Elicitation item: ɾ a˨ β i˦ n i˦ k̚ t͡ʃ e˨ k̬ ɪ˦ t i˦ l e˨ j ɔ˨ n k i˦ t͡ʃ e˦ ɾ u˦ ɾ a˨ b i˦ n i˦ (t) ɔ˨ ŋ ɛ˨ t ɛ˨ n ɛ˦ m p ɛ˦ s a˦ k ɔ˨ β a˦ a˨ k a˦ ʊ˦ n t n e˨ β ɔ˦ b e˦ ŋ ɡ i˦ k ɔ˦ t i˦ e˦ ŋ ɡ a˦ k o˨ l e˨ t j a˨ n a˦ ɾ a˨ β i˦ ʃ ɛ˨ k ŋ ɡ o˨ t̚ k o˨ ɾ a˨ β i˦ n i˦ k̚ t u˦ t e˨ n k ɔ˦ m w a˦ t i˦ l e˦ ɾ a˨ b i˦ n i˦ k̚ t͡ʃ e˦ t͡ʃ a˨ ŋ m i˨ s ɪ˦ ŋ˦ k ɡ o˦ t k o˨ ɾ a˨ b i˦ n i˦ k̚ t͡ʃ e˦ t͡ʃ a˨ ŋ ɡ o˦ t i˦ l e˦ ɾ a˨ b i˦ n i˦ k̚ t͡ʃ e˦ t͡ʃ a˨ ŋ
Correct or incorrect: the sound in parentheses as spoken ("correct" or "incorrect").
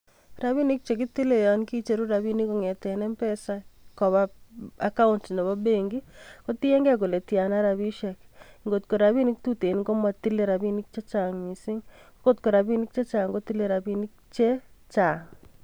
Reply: incorrect